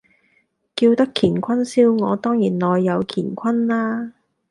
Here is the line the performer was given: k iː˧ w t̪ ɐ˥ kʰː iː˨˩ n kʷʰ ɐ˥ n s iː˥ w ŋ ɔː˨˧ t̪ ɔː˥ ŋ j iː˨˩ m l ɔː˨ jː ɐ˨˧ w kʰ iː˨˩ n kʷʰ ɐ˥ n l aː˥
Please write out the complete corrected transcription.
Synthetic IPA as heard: k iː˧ w t̪ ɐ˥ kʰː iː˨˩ n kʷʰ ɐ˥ n s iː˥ w ŋ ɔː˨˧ t̪ ɔː˥ ŋ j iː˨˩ n l ɔː˨ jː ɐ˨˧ w kʰ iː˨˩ n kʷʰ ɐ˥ n l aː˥